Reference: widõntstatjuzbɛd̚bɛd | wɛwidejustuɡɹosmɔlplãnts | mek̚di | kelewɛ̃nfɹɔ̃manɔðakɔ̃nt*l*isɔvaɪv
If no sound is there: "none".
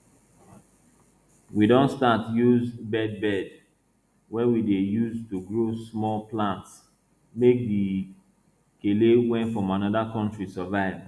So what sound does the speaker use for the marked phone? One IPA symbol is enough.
ɹ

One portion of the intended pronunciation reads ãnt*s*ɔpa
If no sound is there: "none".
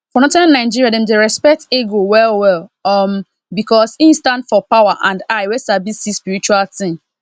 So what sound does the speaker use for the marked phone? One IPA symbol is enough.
f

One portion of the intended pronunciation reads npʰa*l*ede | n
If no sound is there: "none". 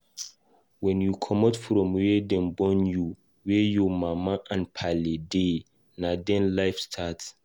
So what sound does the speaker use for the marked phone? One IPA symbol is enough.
l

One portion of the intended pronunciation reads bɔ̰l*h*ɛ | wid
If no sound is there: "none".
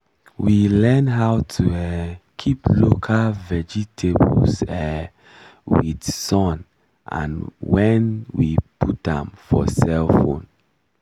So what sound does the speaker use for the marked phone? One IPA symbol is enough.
s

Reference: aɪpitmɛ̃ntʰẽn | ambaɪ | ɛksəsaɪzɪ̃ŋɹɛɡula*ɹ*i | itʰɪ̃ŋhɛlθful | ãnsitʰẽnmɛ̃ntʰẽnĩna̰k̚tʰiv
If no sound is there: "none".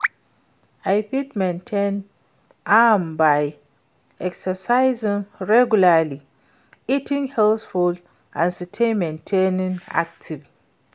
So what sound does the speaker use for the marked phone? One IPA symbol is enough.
l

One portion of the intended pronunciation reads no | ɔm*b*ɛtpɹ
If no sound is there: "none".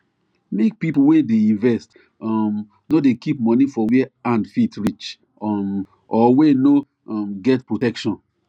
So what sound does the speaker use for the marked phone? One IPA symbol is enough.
ɡ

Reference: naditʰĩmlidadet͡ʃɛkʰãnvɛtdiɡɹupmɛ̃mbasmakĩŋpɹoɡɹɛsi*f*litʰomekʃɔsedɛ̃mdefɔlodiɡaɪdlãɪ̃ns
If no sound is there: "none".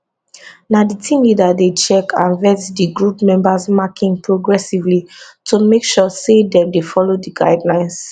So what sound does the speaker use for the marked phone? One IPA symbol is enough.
v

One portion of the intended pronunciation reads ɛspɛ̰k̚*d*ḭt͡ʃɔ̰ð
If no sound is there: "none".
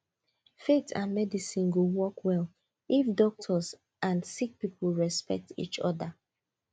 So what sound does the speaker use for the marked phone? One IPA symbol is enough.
t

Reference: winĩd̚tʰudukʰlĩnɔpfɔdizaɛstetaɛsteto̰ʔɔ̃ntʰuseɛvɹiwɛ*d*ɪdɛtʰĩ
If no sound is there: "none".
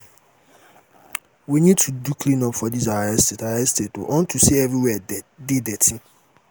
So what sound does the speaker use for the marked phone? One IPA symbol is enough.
d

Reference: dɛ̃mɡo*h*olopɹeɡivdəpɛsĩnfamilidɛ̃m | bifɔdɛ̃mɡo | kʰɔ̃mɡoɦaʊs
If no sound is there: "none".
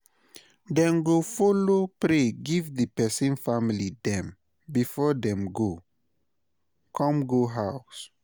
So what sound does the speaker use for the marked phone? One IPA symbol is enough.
f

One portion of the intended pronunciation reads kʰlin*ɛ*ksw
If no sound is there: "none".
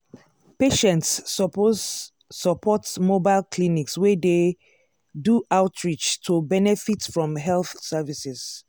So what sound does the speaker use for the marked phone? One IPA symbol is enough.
i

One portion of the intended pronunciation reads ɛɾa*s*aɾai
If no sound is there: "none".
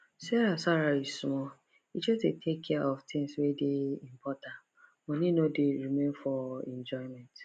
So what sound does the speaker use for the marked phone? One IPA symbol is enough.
s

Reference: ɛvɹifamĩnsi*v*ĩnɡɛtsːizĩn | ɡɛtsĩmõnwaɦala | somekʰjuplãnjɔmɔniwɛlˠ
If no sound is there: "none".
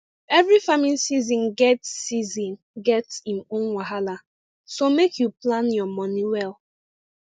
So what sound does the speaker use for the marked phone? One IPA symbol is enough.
z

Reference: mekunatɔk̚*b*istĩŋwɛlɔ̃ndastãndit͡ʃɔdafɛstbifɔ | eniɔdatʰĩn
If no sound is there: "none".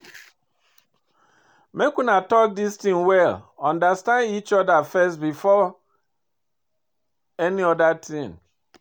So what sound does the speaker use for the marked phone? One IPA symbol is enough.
d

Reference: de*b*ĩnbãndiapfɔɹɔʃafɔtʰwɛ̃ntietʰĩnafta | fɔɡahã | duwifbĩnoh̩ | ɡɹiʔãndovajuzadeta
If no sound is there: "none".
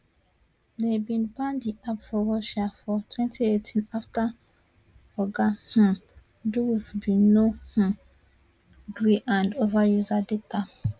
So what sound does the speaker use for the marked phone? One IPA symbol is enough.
b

